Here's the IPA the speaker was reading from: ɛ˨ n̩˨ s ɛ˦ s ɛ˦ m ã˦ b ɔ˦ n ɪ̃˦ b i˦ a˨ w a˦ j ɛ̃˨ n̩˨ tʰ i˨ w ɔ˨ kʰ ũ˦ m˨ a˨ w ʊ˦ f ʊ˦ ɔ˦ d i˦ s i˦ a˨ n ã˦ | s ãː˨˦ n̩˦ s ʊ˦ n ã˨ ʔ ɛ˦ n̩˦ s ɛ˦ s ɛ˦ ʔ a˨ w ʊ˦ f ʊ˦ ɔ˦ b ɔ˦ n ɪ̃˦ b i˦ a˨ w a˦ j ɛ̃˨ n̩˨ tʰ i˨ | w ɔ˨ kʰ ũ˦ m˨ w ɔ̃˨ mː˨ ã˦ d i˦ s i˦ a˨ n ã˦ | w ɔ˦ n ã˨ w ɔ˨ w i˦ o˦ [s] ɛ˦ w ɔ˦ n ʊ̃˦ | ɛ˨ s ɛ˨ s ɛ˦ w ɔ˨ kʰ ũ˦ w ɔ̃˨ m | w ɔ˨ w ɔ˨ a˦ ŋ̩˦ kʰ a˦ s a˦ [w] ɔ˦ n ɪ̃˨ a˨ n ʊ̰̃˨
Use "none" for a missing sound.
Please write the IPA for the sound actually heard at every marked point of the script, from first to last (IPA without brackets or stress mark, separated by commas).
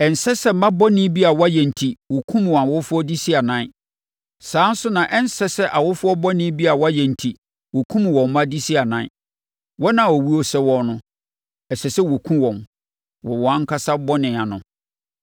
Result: s, b